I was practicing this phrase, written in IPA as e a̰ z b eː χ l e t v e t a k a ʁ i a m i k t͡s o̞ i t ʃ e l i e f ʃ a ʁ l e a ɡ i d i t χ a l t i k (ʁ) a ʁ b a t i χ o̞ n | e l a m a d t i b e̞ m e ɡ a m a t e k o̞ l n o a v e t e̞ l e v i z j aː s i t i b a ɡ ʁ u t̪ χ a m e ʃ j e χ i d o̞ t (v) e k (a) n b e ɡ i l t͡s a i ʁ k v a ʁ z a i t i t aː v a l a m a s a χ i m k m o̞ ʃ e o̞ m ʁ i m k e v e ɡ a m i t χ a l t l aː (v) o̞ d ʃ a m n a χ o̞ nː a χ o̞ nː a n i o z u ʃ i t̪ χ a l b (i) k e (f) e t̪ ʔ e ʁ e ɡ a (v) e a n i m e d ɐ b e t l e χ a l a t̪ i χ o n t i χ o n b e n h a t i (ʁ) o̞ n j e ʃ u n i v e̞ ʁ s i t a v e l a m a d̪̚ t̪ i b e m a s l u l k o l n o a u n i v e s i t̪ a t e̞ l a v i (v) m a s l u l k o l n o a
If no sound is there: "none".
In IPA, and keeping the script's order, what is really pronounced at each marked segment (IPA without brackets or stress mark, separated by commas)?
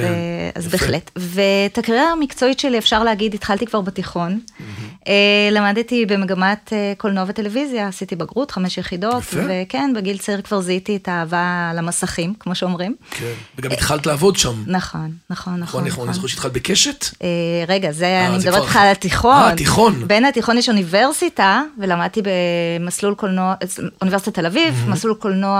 v, v, e, v, e, ʃ, z, χ, v